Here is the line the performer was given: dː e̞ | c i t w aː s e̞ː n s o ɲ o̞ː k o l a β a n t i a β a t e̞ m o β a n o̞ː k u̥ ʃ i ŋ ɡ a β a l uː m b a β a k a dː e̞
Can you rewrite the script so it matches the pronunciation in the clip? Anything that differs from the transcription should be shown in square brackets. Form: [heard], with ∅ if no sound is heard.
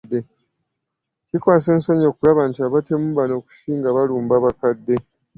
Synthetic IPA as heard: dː e̞ | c i [k] w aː s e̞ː n s o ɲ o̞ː k [u] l a β a n t i a β a t e̞ m [u] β a n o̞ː k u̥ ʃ [iː] ŋ ɡ a β a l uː m b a β a k a dː e̞